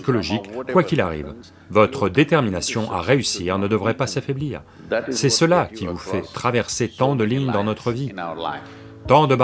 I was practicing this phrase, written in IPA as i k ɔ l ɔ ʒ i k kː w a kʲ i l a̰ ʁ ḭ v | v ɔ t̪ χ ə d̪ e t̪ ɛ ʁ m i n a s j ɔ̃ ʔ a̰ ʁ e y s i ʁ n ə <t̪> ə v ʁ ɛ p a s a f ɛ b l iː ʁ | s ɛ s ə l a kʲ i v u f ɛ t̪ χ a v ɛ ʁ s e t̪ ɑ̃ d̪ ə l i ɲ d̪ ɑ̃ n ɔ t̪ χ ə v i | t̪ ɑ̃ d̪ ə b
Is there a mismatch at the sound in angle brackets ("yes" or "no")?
yes